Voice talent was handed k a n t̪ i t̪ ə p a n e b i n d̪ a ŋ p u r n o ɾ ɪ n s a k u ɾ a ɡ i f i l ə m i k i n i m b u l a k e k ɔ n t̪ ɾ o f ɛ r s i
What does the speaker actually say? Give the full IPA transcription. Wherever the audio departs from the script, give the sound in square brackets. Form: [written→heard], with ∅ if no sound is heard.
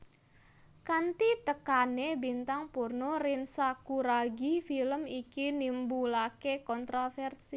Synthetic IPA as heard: k a n t̪ i t̪ ə [p→k] a n e b i n [d̪→t̪] a ŋ p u r n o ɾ ɪ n s a k u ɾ a ɡ i f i l ə m i k i n i m b u l a k e k ɔ n t̪ ɾ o f ɛ r s i